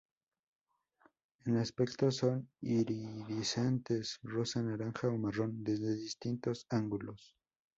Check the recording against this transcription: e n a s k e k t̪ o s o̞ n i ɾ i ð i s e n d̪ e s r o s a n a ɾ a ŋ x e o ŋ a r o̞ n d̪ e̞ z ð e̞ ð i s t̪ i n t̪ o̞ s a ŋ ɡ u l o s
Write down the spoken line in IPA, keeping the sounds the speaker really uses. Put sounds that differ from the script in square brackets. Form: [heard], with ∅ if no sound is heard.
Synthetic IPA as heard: e n a s [p] e k t̪ o s o̞ n i ɾ i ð i s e n [t̪] e s r o s a n a ɾ a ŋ x [a] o [m] a r o̞ n d̪ e̞ z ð e̞ ð i s t̪ i n t̪ o̞ s a ŋ ɡ u l o s

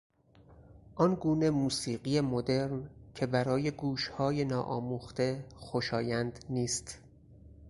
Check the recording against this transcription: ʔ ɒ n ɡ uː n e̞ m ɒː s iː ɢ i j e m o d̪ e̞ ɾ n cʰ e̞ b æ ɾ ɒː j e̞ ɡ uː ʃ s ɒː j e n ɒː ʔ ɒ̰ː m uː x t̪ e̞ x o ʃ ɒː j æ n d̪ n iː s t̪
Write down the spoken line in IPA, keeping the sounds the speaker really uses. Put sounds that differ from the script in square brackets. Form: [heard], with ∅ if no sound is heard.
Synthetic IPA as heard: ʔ ɒ n ɡ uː n e̞ m [uː] s iː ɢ i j e m o d̪ e̞ ɾ n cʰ e̞ b æ ɾ ɒː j e̞ ɡ uː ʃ [h] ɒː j e n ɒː ʔ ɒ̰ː m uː x t̪ e̞ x o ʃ ɒː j æ n d̪ n iː s t̪

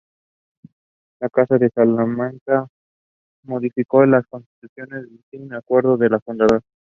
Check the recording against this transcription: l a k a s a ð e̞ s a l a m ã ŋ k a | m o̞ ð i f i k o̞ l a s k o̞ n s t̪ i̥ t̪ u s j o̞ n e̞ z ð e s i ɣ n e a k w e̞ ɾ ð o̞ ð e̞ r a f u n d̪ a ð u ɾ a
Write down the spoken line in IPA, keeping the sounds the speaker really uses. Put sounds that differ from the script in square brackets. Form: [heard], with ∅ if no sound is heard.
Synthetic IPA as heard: l a k a s a ð e̞ s a l a m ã ŋ k a | m o̞ ð i f i k o̞ l a s k o̞ n s t̪ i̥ t̪ u s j o̞ n e̞ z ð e s i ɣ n e a k w e̞ ɾ ð o̞ ð e̞ [l] a f u n d̪ a ð [o] ɾ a

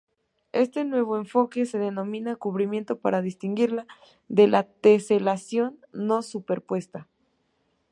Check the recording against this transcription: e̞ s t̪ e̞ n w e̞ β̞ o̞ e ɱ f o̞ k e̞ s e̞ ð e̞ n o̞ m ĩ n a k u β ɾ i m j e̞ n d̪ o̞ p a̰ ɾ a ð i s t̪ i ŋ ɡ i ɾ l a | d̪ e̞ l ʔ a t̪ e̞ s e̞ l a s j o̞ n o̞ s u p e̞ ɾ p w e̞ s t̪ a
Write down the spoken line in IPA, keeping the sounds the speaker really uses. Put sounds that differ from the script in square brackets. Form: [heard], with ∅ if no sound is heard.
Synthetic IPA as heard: e̞ s t̪ e̞ n w e̞ β̞ o̞ e ɱ f o̞ k e̞ s e̞ ð e̞ n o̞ m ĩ n a k u β ɾ i m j e̞ n [t̪] o̞ p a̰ ɾ a ð i s t̪ i ŋ ɡ i ɾ l a | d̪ e̞ l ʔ a t̪ e̞ s e̞ l a s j o̞ [nː] o̞ s u p e̞ ɾ p w e̞ s t̪ a

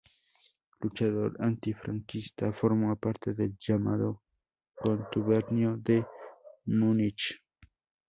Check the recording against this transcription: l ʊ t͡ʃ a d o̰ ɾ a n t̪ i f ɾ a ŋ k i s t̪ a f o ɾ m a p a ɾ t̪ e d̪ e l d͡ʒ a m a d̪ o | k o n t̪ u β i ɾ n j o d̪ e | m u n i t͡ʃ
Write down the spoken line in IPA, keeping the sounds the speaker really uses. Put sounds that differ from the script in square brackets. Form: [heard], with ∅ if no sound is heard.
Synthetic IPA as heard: l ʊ t͡ʃ a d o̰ ɾ a n t̪ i f ɾ a ŋ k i s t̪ a f o ɾ m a p a ɾ t̪ e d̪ e l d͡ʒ a m a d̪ o | k o n t̪ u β [e] ɾ n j o d̪ e | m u n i t͡ʃ

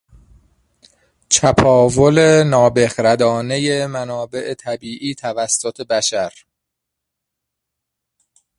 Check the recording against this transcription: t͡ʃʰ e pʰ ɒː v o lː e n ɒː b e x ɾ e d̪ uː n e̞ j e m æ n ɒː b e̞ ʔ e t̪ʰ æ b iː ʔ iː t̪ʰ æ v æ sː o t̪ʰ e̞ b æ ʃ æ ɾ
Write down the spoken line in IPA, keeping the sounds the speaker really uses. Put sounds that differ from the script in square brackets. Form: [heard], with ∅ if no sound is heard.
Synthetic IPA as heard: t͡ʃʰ [æ] pʰ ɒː v o [l] e n ɒː b e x ɾ [æ] d̪ [ɒː] n e̞ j e m æ n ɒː b e̞ ʔ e t̪ʰ æ b iː ʔ iː t̪ʰ æ v æ sː o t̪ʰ e̞ b æ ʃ æ ɾ

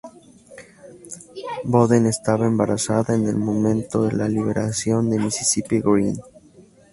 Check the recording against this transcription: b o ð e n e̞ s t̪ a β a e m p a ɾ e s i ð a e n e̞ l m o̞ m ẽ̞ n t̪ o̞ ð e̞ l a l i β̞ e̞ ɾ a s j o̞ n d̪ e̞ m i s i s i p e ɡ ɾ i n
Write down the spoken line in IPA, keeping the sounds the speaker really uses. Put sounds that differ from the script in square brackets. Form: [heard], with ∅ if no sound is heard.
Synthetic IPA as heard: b o ð e n e̞ s t̪ a β a e m [b] a ɾ [a] s [a] ð a e n e̞ l m o̞ m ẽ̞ n t̪ o̞ ð e̞ l a l i β̞ e̞ ɾ a s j o̞ n d̪ e̞ m i s i s i p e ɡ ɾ i n

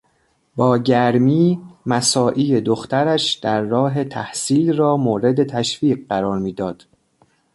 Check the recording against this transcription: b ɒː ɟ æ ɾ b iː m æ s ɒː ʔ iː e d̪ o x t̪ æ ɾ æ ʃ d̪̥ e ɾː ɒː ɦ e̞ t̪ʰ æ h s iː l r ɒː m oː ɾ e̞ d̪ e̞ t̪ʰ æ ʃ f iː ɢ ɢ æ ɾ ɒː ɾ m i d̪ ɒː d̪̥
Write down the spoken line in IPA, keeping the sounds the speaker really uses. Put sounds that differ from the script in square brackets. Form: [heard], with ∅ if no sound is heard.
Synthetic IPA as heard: b ɒː ɟ æ ɾ [m] iː m æ s ɒː ʔ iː e d̪ o x t̪ æ ɾ æ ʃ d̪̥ [æ] ɾː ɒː ɦ e̞ t̪ʰ æ h s iː l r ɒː m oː ɾ e̞ d̪ e̞ t̪ʰ æ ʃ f iː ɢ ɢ æ ɾ ɒː ɾ m [iː] d̪ ɒː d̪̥

